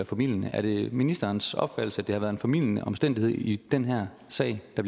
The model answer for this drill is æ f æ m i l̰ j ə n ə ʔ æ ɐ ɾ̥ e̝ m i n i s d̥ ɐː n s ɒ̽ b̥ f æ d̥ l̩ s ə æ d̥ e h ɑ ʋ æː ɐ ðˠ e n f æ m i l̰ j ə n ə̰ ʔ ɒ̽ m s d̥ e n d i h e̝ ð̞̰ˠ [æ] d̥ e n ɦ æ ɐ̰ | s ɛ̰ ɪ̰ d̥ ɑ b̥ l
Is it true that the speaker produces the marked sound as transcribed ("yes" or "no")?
no